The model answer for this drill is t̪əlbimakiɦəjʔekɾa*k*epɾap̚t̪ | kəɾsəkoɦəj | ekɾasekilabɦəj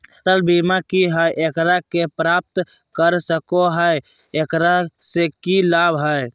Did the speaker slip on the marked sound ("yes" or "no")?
no